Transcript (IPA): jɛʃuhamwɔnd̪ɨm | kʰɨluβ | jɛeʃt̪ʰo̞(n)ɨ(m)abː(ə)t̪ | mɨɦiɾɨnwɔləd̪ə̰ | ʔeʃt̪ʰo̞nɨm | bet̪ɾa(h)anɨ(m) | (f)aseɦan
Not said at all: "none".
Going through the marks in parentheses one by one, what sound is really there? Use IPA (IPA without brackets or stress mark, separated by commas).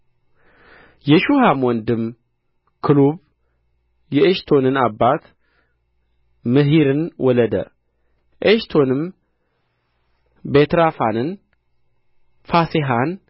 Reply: n, n, a, f, n, f